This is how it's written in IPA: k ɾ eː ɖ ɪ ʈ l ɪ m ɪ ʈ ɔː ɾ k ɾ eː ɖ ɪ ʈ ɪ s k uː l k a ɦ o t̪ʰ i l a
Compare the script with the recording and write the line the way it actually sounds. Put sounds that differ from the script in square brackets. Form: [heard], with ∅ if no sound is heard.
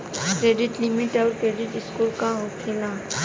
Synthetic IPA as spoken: k ɾ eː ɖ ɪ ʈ l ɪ m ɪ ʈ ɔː ɾ k ɾ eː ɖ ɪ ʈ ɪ s k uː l k a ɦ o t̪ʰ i l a